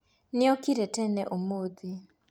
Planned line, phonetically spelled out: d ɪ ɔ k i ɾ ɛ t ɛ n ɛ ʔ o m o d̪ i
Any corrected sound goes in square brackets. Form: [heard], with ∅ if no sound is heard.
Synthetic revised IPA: [n] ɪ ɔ k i ɾ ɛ t ɛ n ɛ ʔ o m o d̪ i